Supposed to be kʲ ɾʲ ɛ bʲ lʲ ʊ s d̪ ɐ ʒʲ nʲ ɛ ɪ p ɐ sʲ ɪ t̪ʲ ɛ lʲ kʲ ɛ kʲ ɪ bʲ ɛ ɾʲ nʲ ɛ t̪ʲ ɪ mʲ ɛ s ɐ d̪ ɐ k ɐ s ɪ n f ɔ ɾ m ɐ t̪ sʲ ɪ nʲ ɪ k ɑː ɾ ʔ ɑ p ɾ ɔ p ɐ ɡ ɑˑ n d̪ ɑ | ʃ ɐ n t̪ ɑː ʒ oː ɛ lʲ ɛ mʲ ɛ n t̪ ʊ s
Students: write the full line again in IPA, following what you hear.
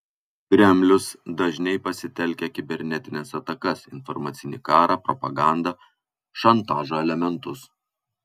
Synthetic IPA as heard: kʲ ɾʲ ɛ mʲ lʲ ʊ s d̪ ɐ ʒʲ nʲ ɛ ɪ p ɐ sʲ ɪ t̪ʲ ɛ lʲ kʲ ɛ kʲ ɪ bʲ ɛ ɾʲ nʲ ɛ t̪ʲ ɪ nʲ ɛ s ɐ t̪ ɐ k ɐ s ɪ n f ɔ ɾ m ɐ t̪ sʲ ɪ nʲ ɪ k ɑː ɾ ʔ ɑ p ɾ ɔ p ɐ ɡ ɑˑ n d̪ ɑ | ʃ ɐ n t̪ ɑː ʒ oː ɛ lʲ ɛ mʲ ɛ n t̪ ʊ s